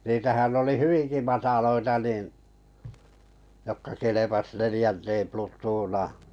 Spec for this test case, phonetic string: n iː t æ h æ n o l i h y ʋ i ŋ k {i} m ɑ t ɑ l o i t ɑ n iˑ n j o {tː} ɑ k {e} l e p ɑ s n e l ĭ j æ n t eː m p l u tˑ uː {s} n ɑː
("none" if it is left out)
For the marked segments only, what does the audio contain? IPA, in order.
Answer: i, kː, e, none

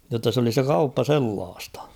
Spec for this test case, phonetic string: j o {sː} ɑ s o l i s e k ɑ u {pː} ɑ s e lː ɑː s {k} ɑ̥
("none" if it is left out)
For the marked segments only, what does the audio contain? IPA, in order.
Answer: tː, pː, t

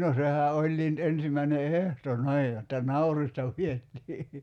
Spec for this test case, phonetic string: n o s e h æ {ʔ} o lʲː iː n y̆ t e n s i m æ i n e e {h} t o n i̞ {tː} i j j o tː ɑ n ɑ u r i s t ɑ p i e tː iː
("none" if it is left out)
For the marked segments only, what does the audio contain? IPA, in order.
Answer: ʔ, h, none

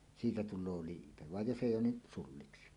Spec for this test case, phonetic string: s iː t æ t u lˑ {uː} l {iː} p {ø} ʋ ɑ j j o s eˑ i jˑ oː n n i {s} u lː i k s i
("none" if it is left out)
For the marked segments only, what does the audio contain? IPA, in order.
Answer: oː, iː, e, s

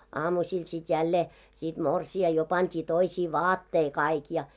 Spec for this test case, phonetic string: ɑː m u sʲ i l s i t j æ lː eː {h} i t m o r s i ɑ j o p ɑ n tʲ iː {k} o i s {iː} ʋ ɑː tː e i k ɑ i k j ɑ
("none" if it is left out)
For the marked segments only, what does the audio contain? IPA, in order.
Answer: s, t, iː

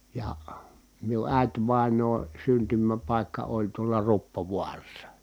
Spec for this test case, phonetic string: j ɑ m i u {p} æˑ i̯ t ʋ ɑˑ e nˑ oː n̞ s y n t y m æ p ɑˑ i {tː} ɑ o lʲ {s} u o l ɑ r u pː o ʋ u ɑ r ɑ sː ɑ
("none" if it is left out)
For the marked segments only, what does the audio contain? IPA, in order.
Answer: ʔ, kː, t

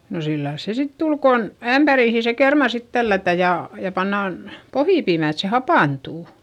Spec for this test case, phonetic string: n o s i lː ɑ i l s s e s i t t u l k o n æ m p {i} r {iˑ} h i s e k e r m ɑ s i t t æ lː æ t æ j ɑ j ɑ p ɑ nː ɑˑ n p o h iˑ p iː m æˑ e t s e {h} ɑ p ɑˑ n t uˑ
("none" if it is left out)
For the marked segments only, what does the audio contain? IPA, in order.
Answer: æ, iˑ, h

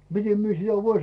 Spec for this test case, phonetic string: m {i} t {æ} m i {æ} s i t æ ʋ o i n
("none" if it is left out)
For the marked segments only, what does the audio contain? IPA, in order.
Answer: i, e, e

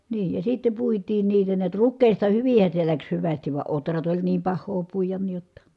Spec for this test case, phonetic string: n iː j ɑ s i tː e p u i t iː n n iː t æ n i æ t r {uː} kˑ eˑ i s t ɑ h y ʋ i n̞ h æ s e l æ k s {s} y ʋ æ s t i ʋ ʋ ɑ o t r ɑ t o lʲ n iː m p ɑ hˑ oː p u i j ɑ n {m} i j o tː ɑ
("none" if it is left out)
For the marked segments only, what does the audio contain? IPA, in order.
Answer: u, h, n

